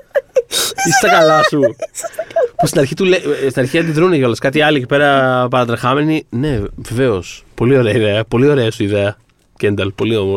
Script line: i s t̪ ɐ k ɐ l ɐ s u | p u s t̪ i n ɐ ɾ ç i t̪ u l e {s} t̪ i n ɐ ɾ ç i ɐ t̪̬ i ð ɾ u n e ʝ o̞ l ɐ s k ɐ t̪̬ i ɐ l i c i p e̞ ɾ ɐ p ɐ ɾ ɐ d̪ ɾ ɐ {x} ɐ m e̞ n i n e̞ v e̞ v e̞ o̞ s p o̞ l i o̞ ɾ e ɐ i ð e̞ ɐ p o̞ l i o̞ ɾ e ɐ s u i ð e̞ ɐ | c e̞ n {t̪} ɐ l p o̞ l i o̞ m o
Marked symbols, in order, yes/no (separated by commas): yes, yes, no